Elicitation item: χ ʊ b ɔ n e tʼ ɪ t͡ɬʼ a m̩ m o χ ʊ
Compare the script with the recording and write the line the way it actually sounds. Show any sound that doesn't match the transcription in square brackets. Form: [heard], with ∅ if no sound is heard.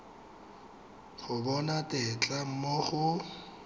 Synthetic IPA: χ ʊ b ɔ n [a] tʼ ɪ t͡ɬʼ a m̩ m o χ ʊ

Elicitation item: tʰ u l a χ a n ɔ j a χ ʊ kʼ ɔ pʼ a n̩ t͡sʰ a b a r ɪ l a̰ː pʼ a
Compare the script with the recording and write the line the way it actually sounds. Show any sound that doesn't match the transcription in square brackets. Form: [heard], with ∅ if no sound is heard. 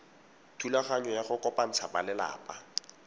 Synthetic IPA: tʰ u l a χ a [ɲ] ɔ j a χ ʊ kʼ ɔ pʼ a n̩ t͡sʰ a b a [l] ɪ l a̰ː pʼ a

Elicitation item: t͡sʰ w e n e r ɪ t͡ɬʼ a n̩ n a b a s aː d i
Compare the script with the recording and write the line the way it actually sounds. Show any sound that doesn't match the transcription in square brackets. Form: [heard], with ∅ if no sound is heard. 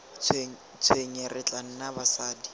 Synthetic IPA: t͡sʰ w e [ɲ] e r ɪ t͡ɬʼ a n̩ n a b a s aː d i

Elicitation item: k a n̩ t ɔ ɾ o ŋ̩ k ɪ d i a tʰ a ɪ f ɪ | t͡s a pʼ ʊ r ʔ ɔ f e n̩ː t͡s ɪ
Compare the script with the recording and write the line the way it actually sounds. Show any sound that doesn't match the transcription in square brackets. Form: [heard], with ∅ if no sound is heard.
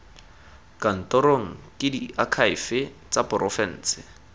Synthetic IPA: k a n̩ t ɔ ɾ o ŋ̩ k ɪ d i a [kʰ] a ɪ f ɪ | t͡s a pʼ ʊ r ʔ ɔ f [ɛ] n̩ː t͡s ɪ

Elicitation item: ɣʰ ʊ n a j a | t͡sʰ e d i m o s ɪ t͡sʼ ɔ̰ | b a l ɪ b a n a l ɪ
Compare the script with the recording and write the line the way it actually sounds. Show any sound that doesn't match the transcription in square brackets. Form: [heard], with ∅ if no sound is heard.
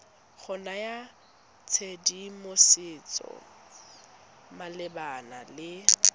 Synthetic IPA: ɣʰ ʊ n a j a | t͡sʰ e d i m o s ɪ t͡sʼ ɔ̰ | [m] a l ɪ b a n a l ɪ

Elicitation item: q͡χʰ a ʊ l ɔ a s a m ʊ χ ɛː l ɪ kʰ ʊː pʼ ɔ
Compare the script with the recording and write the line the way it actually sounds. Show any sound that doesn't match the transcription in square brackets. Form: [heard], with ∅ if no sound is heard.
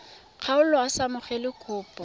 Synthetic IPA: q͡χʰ a ʊ l ɔ a s a m ʊ χ [ɛ] l ɪ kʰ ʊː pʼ ɔ

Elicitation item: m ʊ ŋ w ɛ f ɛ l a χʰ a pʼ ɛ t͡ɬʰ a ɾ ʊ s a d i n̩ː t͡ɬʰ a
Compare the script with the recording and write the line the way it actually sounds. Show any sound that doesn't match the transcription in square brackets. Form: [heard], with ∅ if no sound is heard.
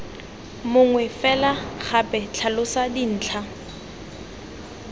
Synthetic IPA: m ʊ ŋ w ɛ f ɛ l a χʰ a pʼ ɛ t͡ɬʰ a [l] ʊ s a d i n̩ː t͡ɬʰ a

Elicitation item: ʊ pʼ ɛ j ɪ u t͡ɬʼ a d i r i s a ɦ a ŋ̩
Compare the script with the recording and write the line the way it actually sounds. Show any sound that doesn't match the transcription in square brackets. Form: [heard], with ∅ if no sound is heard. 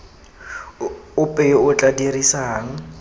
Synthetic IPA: ʊ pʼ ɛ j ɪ [ʊ] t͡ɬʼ a d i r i s a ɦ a ŋ̩

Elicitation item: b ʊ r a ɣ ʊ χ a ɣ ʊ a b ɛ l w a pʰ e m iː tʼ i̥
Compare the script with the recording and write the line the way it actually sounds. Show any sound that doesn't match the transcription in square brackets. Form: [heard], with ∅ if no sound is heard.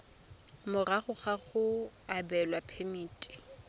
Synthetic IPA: [m] ʊ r a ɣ ʊ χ a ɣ ʊ a b ɛ l w a pʰ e m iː tʼ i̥

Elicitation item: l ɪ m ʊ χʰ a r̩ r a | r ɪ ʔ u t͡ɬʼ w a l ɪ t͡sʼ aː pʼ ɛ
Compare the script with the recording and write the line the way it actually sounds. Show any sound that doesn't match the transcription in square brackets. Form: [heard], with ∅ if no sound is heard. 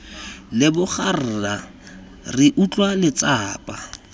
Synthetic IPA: l ɪ [b] ʊ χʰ a r̩ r a | r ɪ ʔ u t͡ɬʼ w a l ɪ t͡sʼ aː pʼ [a]

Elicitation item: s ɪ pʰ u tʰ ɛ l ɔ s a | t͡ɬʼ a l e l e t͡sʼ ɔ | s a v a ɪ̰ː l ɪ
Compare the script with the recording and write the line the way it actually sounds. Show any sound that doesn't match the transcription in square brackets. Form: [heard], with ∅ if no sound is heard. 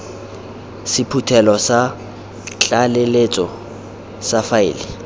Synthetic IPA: s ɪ pʰ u tʰ ɛ l ɔ s a | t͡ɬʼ a l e l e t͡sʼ ɔ | s a [f] a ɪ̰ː l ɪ

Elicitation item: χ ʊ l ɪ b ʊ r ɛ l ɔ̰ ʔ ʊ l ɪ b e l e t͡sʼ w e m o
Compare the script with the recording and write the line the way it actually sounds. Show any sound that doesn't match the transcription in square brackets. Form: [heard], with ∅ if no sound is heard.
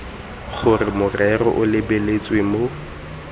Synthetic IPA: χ ʊ [r] ɪ [m] ʊ r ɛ [r] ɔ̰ ʔ ʊ l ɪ b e l e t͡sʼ w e m o

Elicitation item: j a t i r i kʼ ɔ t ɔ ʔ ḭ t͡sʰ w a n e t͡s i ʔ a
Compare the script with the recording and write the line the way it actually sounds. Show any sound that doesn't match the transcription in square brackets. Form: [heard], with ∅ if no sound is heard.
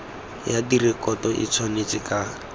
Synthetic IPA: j a [d] i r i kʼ ɔ t ɔ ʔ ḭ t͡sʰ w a n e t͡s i [k] a

